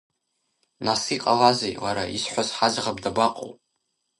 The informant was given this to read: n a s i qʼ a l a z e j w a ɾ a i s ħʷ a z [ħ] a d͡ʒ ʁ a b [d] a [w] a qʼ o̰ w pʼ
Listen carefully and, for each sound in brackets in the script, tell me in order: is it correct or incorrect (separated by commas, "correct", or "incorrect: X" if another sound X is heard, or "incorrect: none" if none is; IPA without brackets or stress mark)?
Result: correct, correct, incorrect: b